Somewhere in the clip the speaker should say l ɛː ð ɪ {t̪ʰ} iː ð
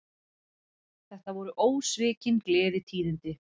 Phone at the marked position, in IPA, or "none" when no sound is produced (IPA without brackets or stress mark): t̪ʰ